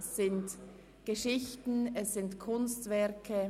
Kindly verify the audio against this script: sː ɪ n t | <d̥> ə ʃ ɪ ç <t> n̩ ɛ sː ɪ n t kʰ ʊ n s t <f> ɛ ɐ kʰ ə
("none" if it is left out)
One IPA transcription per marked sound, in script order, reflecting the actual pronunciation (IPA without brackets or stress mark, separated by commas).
ɡ̥, t, v